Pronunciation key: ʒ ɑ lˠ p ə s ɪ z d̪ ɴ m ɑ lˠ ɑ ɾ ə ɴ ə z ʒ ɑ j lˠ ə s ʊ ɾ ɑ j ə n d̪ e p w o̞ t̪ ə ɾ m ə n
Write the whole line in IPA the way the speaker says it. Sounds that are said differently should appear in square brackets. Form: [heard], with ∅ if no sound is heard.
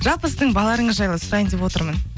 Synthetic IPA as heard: ʒ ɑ lˠ p ə s ɪ z d̪ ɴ [b] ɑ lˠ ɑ ɾ ə ɴ ə z ʒ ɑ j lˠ ə s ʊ ɾ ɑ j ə n d̪ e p w o̞ t̪ ə ɾ m ə n